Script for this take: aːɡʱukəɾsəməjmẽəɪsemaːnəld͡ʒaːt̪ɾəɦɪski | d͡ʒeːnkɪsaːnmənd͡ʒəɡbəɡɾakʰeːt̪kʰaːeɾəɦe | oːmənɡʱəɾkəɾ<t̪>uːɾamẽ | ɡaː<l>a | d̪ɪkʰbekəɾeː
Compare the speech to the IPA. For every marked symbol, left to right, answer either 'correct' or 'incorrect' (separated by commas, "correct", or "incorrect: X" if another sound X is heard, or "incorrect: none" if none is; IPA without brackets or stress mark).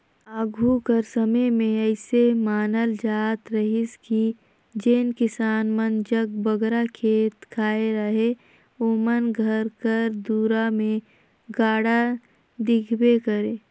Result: incorrect: d̪, incorrect: ɽ